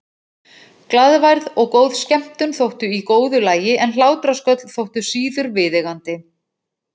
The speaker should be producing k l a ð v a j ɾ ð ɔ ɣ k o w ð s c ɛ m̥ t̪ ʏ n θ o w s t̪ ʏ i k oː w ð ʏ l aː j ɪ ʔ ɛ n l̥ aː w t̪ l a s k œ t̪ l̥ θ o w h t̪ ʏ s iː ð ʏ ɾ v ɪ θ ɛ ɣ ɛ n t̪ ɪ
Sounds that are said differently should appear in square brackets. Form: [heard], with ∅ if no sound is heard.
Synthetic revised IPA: k l a ð v a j ɾ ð ɔ ɣ k o w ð s c ɛ m̥ t̪ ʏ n θ o w [h] t̪ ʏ i k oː w ð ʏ l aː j ɪ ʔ ɛ n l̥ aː w t̪ [ɾ] a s k œ t̪ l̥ θ o w h t̪ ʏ s iː ð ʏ ɾ v ɪ [ð] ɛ ɣ [a] n t̪ ɪ